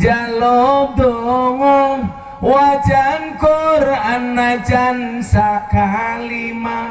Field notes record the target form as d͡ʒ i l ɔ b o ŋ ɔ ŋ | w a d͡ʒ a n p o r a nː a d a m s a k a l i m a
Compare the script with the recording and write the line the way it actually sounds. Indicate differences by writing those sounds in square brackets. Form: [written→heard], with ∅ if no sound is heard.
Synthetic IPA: d͡ʒ [i→a] l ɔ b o ŋ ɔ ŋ | w a d͡ʒ a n [p→k] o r a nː a [d→d͡ʒ] a [m→n] s a k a l i m a